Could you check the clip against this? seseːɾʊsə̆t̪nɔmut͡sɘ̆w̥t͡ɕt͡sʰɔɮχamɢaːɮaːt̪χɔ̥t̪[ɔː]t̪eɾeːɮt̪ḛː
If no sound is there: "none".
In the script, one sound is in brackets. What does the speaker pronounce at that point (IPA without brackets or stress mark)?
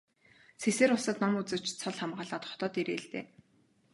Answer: ɔː